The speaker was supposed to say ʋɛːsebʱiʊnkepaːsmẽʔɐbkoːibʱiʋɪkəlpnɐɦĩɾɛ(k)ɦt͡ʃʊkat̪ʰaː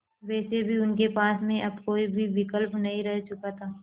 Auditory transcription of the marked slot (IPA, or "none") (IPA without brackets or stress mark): none